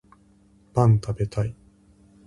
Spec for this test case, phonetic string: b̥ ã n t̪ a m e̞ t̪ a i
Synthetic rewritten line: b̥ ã n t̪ a b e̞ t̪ a i